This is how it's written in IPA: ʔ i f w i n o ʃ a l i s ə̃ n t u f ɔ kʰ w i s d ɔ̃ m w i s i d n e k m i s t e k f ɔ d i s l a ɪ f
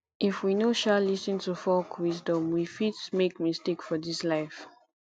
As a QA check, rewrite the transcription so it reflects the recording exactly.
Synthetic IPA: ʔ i f w i n o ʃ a l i s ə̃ n t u f ɔ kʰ w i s d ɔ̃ m w i f i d m e k m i s t e k f ɔ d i s l a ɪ f